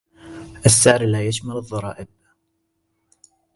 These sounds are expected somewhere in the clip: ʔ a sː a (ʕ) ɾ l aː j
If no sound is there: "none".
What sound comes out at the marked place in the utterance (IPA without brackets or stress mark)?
ʕ